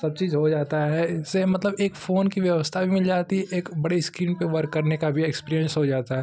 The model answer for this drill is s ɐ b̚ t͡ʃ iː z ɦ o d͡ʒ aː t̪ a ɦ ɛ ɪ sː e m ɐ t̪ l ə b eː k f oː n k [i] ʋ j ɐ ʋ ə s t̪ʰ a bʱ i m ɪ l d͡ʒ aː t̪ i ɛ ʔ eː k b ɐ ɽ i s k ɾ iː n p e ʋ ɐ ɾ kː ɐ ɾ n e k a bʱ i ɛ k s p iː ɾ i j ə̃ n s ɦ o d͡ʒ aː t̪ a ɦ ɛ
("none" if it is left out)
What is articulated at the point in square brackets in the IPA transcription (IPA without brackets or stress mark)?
i